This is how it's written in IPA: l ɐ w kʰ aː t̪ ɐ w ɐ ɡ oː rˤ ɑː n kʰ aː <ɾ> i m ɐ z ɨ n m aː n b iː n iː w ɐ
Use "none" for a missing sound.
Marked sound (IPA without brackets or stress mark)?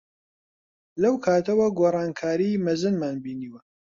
ɾ